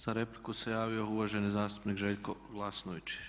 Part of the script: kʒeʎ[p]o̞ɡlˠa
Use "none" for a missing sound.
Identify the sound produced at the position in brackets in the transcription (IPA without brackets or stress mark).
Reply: k